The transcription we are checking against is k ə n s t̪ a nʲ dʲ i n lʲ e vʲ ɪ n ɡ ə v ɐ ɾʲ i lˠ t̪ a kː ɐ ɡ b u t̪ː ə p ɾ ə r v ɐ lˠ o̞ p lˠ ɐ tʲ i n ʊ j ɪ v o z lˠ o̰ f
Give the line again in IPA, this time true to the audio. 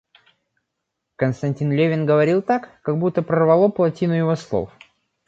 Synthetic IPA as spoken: k ə n s t̪ ɐ nʲ tʲ i n lʲ e vʲ ɪ n ɡ ə v ɐ ɾʲ i lˠ t̪ a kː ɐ ɡ b u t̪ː ə p ɾ ə r v ɐ lˠ o̞ p lˠ ɐ tʲ i n ʊ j ɪ v o s lˠ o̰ f